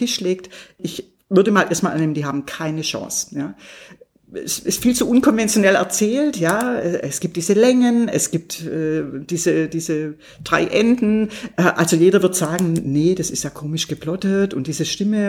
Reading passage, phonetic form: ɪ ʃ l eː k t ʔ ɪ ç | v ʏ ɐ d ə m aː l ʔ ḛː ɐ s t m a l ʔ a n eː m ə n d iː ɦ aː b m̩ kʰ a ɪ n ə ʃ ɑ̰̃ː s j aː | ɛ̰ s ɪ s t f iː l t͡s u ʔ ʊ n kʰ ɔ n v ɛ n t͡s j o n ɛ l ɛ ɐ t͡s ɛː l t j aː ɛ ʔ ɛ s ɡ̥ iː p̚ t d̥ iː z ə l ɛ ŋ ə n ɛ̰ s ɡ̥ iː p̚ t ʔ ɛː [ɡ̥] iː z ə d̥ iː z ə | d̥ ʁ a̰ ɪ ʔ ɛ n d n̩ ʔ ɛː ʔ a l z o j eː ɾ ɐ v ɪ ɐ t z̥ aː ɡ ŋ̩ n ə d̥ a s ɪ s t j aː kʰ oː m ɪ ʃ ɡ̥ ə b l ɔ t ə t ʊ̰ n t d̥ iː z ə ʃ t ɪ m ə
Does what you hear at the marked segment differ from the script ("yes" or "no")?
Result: yes